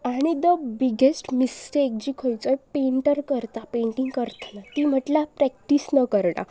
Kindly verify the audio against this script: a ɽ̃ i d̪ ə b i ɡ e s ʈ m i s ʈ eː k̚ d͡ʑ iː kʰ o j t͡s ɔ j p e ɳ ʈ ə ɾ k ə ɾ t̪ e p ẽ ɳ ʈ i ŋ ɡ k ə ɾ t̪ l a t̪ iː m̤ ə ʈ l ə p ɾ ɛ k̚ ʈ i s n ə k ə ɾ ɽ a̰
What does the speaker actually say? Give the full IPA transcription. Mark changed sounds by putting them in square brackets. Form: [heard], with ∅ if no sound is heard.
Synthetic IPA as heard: a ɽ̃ i d̪ ə b i ɡ e s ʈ m i s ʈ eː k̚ d͡ʑ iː kʰ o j t͡s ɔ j p e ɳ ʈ ə ɾ k ə ɾ t̪ [a] p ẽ ɳ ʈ i ŋ ɡ k ə ɾ t̪ l a t̪ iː m̤ ə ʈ l [a] p ɾ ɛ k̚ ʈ i s n ə k ə ɾ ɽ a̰